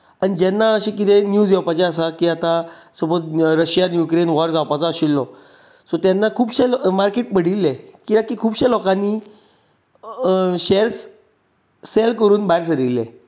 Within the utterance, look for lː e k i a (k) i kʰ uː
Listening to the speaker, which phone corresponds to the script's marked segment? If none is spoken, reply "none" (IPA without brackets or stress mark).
k